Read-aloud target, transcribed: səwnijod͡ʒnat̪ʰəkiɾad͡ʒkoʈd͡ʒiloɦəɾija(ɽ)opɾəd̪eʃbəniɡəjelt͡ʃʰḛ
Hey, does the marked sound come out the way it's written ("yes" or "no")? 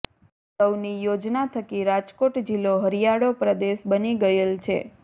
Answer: yes